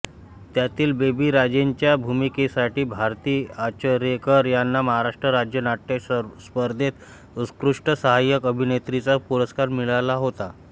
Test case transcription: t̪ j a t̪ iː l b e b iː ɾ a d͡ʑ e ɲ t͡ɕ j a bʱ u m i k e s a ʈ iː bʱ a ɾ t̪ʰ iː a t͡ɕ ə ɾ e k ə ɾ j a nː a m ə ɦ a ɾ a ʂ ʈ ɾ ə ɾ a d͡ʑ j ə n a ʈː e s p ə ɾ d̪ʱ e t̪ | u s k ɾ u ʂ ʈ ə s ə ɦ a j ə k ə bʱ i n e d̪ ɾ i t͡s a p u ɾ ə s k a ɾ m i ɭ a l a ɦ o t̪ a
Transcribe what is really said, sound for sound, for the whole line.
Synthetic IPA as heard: t̪ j a t̪ iː l b e b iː ɾ a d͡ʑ e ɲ t͡ɕ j a bʱ u m i k e s a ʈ iː bʱ a ɾ t̪ iː a t͡ɕ ə ɾ e k ə ɾ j a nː a m ə ɦ a ɾ a ʂ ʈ ɾ ə ɾ a d͡ʑ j ə n a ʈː e s p ə ɾ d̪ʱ e t̪ | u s k ɾ u ʂ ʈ ə s ə ɦ a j ə k ə bʱ i n e t̪ ɾ i t͡s a p u ɾ ə s k a ɾ m i ɭ a l a ɦ o t̪ a